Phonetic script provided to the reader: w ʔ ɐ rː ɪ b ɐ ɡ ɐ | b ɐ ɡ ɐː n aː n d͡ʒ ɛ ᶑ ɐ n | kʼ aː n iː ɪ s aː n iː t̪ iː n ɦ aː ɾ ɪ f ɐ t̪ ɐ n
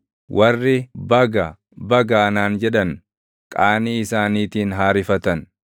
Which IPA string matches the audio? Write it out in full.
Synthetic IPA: w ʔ ɐ rː ɪ b ɐ ɡ ɐ | b ɐ ɡ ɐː n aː n d͡ʒ ɛ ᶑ ɐ n | kʼ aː n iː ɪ s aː n iː t̪ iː n ɦ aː ɾ ɪ f ɐ t̪ ɐ n